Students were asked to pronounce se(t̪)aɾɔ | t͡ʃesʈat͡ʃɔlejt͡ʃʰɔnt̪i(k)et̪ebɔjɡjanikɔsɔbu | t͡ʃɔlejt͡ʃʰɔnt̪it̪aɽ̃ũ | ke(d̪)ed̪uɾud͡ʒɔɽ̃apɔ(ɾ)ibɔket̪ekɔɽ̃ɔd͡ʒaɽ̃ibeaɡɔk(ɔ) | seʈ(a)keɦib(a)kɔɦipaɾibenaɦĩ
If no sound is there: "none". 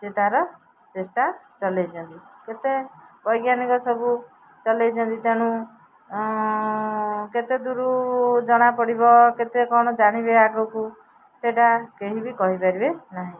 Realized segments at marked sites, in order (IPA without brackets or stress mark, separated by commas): t̪, k, t̪, ɽ, u, a, i